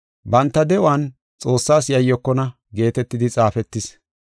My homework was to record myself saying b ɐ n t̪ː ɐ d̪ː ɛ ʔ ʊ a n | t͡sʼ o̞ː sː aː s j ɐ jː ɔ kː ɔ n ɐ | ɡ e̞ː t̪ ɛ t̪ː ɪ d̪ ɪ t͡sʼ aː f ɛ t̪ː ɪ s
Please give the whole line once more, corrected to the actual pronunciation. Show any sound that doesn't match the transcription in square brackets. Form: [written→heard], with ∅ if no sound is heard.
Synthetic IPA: b ɐ n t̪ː ɐ [d̪ː→d̪] ɛ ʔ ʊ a n | t͡sʼ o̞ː sː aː s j ɐ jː ɔ kː ɔ n ɐ | ɡ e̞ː t̪ ɛ t̪ː ɪ d̪ ɪ t͡sʼ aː f ɛ t̪ː ɪ s